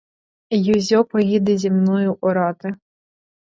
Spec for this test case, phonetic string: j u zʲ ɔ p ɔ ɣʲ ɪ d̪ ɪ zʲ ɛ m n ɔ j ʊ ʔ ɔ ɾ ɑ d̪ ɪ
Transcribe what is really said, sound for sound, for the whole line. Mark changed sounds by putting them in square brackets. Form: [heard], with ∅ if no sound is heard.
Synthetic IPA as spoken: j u zʲ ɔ p ɔ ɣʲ [i] d̪ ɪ zʲ [i] m n ɔ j ʊ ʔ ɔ ɾ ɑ [t̪] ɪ